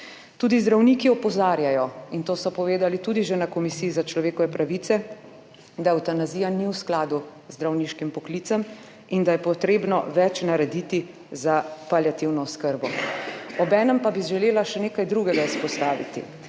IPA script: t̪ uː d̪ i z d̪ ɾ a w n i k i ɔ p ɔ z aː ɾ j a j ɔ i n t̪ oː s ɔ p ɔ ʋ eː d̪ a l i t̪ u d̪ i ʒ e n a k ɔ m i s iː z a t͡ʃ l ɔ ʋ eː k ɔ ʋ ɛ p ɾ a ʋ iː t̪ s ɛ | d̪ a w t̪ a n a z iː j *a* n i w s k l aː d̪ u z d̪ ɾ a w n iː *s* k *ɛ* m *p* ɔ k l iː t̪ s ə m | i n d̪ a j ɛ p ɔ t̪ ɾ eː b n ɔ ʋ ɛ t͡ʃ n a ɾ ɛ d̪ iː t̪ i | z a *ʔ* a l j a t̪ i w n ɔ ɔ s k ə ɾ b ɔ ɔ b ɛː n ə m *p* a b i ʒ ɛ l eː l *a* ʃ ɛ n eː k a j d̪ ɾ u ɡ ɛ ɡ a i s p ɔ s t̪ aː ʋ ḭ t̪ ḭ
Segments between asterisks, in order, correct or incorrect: correct, incorrect, incorrect, correct, incorrect, correct, correct

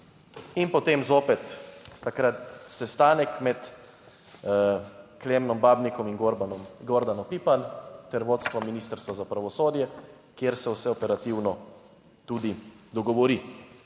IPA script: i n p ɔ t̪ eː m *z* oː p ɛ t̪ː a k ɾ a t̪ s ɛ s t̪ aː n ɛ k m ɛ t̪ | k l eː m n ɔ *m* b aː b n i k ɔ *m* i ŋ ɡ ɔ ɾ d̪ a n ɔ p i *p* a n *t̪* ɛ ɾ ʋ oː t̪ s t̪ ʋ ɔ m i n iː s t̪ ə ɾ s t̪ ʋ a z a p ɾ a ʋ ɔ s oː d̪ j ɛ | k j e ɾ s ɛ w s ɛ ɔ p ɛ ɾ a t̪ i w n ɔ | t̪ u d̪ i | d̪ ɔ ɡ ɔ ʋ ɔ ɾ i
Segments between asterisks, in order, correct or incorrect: correct, correct, correct, correct, correct

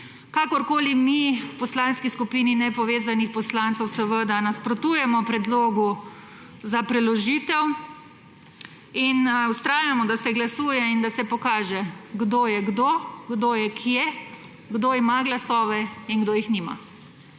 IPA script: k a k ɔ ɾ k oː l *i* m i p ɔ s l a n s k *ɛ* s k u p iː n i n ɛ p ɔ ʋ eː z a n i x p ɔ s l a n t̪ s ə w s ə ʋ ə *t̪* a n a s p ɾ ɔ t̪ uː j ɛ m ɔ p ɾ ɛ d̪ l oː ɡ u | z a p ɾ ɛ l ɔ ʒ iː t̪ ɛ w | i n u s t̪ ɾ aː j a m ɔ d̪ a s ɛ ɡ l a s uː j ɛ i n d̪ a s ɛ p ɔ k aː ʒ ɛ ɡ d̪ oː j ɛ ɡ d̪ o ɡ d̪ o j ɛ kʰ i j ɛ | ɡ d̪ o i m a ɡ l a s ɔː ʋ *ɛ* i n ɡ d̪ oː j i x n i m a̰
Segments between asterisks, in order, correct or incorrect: correct, incorrect, incorrect, correct

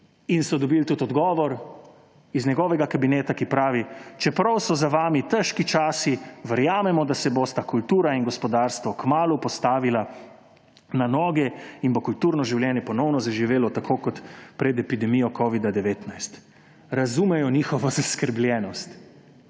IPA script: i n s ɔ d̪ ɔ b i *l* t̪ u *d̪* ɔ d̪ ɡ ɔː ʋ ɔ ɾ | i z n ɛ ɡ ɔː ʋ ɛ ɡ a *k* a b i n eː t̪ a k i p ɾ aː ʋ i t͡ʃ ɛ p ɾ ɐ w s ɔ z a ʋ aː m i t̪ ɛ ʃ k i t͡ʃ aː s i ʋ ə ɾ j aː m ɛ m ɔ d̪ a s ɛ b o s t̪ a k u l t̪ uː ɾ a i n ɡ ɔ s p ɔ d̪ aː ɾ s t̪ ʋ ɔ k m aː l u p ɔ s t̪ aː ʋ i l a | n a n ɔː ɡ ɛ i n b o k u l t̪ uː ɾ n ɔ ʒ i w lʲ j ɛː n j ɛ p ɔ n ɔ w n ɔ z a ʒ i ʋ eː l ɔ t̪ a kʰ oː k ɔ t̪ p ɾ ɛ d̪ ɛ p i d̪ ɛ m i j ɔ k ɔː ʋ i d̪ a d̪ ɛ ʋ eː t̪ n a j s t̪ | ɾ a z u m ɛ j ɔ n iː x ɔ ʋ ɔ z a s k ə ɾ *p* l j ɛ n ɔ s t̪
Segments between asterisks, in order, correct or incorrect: correct, incorrect, correct, incorrect

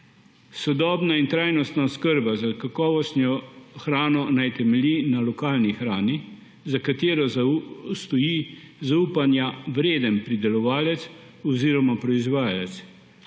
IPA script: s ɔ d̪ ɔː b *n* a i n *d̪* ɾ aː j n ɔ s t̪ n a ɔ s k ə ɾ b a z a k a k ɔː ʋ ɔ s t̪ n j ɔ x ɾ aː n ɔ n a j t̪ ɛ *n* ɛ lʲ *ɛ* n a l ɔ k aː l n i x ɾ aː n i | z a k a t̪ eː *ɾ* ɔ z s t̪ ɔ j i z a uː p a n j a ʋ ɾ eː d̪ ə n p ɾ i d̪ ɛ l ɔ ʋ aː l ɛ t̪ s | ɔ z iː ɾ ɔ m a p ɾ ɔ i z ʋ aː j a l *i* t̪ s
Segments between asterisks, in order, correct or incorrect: correct, incorrect, incorrect, incorrect, correct, incorrect

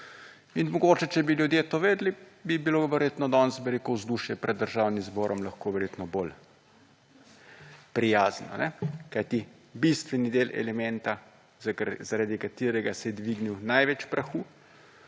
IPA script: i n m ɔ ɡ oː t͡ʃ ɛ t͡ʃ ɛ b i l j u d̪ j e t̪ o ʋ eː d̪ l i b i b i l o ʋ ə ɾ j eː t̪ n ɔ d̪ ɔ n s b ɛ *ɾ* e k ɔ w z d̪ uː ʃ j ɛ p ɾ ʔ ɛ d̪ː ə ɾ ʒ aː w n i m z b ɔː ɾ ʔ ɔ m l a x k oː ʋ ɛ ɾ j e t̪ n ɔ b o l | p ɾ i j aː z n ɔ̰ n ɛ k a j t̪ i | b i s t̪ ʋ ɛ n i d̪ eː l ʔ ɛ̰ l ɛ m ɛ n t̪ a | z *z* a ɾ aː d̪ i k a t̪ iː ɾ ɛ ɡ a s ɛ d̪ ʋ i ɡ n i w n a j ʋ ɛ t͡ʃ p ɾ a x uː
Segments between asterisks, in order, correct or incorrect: correct, correct

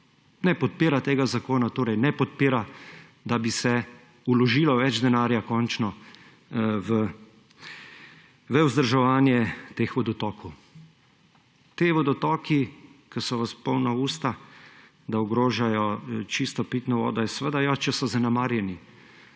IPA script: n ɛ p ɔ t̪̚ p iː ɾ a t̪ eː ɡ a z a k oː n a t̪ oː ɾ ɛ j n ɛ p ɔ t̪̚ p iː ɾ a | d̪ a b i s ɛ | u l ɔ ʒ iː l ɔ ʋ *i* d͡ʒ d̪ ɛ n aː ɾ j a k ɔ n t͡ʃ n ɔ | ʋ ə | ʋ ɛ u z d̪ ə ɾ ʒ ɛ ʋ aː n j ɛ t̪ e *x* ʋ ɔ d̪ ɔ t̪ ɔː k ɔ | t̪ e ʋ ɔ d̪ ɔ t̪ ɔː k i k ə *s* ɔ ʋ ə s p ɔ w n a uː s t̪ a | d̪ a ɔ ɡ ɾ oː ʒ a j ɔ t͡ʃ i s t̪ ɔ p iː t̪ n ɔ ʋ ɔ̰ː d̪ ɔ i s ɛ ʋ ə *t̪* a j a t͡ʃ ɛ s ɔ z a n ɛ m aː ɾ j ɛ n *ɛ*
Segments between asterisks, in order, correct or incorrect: incorrect, correct, correct, incorrect, incorrect

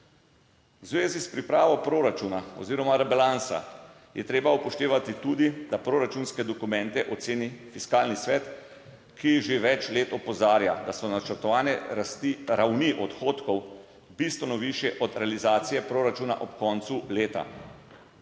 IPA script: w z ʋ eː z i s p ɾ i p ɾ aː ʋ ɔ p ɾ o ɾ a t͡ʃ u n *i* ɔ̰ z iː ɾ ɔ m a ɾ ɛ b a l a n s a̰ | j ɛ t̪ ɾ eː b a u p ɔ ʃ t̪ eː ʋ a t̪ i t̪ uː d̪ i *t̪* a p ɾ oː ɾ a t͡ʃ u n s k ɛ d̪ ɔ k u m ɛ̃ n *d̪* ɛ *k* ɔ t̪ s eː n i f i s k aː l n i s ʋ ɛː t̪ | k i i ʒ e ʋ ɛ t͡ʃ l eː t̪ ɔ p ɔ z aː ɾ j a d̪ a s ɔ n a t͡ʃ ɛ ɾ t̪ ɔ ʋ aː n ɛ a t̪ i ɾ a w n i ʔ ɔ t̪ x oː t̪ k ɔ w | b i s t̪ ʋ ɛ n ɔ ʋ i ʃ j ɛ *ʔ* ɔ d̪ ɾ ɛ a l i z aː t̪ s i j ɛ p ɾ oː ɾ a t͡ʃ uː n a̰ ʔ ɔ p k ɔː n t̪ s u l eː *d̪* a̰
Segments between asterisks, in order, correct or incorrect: incorrect, incorrect, incorrect, incorrect, correct, incorrect

